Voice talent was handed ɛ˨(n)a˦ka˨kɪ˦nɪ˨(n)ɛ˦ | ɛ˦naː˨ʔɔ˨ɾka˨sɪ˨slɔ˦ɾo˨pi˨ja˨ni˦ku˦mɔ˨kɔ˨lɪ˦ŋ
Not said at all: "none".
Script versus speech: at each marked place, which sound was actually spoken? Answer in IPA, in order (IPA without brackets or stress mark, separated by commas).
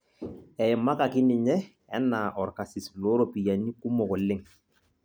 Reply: m, ɲ